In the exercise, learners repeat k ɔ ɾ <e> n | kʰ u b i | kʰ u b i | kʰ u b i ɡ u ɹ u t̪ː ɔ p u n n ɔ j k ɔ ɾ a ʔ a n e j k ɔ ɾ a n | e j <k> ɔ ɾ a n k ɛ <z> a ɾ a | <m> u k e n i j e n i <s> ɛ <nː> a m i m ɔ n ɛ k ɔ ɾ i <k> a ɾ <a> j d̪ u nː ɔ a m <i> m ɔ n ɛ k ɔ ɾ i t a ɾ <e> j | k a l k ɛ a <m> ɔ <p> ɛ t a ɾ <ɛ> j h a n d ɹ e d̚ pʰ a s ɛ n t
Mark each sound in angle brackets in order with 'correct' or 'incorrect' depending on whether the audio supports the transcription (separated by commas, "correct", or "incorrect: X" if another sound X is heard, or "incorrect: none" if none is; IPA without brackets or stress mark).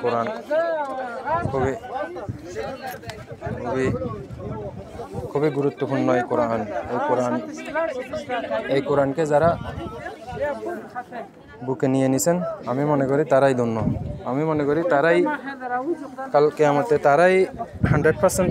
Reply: incorrect: a, correct, correct, incorrect: b, correct, incorrect: n, incorrect: t, correct, correct, incorrect: a, correct, incorrect: t, incorrect: a